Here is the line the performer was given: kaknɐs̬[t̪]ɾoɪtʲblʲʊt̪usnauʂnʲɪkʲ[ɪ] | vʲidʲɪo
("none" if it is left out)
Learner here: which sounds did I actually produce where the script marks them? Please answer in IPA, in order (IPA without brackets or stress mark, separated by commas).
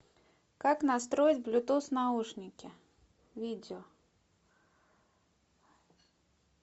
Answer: t̪, ɪ